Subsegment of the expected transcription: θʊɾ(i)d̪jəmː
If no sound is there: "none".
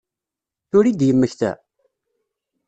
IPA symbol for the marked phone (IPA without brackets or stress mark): i